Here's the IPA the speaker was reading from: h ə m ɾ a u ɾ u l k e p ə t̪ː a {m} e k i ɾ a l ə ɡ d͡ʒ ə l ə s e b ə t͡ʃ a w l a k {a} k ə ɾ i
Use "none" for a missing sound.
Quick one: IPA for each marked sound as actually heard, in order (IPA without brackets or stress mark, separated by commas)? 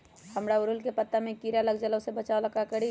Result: m, a